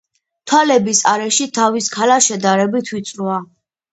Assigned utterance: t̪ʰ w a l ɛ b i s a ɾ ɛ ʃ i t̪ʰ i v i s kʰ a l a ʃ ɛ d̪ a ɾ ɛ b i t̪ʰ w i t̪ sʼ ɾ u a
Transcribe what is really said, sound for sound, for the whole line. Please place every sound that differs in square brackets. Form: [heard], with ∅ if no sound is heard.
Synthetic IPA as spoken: t̪ʰ w a l ɛ b i s a ɾ ɛ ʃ i t̪ʰ [a] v i s kʰ a l a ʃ ɛ d̪ a ɾ ɛ b i t̪ʰ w i t̪ sʼ ɾ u a